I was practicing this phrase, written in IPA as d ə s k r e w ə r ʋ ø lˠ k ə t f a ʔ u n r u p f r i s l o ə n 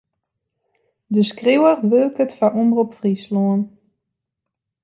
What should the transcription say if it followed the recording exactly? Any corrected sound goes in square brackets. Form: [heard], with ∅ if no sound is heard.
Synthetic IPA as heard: d ə s k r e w ə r ʋ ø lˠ k ə t f a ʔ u [m] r u p f r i s l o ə n